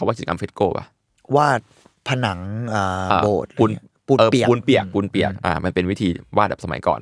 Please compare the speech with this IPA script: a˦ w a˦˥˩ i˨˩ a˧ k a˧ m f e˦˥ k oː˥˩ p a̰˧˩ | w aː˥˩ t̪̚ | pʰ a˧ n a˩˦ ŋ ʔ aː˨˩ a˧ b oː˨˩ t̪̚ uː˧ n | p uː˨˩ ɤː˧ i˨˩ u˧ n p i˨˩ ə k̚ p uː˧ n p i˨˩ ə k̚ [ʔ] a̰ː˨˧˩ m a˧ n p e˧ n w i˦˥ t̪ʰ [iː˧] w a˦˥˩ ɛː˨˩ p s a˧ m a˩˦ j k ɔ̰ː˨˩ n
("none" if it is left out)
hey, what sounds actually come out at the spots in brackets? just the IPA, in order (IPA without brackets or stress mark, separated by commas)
ʔ, iː˧